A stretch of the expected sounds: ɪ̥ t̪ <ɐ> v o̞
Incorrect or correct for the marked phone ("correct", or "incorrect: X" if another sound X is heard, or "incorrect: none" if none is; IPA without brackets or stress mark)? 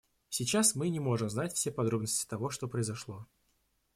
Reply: correct